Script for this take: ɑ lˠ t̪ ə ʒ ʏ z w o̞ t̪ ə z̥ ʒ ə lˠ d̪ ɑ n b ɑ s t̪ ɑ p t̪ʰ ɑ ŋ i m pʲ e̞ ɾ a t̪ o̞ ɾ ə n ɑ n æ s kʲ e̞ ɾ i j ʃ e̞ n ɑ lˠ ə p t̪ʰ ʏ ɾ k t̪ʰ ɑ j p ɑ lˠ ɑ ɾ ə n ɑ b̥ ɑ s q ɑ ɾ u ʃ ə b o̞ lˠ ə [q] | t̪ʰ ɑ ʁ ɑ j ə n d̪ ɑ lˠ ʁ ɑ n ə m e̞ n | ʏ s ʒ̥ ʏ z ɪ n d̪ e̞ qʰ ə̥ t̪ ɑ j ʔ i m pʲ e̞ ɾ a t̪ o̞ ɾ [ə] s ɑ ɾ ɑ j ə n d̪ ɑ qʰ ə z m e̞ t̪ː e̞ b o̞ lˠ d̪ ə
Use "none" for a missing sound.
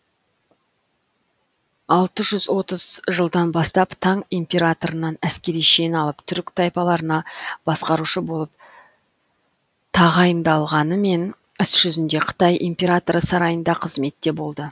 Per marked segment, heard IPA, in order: p, ə

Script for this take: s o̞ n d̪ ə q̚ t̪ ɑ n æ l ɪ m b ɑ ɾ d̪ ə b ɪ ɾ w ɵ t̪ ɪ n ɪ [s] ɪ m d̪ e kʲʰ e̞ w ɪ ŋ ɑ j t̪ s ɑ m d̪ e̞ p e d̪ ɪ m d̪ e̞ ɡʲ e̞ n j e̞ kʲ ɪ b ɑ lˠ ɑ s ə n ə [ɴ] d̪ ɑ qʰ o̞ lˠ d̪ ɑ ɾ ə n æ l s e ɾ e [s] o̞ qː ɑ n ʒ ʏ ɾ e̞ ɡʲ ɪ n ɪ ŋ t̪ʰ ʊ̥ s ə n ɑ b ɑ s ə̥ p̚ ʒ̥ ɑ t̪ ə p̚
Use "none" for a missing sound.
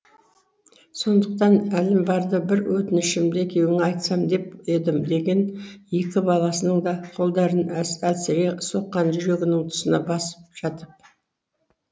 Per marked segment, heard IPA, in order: ʃ, ɴ, s

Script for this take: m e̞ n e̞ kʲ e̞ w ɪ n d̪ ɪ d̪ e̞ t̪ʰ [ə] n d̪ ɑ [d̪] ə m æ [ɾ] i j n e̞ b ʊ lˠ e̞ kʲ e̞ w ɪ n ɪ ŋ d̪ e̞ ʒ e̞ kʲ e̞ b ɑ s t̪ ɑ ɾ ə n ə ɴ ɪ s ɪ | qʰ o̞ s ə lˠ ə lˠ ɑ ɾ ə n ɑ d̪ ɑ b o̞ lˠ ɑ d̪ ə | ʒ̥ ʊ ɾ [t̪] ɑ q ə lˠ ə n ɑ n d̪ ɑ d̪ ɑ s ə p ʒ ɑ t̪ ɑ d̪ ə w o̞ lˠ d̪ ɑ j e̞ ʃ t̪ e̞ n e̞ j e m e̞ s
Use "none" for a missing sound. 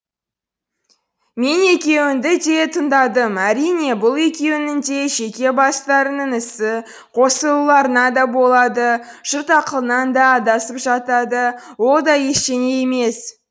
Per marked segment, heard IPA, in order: ə, d̪, ɾ, t̪

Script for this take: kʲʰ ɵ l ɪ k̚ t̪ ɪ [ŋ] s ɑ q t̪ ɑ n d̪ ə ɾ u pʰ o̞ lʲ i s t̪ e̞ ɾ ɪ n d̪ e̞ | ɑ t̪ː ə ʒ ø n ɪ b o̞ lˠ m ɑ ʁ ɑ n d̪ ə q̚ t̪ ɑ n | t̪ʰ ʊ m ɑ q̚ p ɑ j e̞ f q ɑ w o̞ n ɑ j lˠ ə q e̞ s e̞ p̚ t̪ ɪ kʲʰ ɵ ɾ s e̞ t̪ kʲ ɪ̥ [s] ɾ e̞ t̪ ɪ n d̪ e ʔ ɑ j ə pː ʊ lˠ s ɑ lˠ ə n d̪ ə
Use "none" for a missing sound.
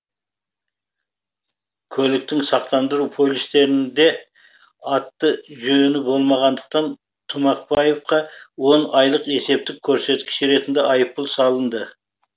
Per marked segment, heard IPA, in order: ŋ, ʃ

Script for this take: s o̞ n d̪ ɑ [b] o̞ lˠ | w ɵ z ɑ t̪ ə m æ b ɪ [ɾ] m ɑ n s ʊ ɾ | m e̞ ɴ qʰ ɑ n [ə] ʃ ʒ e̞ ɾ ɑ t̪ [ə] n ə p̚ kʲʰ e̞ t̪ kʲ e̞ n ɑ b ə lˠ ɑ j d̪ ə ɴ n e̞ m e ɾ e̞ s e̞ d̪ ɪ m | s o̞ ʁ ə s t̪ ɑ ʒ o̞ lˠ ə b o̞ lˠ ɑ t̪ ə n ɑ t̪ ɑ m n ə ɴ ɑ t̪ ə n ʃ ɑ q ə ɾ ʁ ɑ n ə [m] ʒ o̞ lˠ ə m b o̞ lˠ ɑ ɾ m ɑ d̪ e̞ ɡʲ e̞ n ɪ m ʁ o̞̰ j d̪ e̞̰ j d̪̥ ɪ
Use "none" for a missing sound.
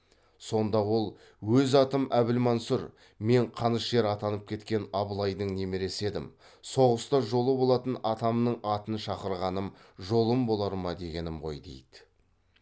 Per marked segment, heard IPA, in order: w, l, ə, ɑ, m

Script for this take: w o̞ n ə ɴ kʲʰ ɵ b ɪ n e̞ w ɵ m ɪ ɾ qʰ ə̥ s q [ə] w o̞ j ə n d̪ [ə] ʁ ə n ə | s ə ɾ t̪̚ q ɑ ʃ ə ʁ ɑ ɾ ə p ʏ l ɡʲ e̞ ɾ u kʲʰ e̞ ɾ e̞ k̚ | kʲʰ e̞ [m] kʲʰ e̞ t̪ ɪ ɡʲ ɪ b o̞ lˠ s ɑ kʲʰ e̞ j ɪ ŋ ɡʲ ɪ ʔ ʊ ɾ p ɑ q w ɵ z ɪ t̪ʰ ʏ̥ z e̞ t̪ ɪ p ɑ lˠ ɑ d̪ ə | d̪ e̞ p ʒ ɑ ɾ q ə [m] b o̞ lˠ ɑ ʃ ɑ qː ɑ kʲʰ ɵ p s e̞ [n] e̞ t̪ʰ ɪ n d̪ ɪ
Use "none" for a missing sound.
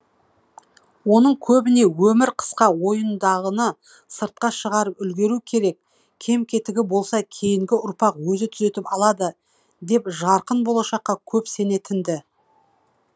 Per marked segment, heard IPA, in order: ɑ, ɑ, m, n, n

